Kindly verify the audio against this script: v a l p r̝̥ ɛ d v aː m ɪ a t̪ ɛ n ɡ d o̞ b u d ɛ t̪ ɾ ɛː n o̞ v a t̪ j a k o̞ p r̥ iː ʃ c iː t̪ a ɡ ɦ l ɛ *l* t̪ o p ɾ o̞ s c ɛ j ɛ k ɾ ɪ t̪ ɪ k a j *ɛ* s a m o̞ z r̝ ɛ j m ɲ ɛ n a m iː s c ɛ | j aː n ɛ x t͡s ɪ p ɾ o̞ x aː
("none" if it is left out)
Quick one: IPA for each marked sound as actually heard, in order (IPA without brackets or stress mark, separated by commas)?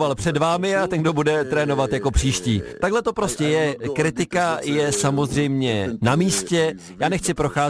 none, ɛ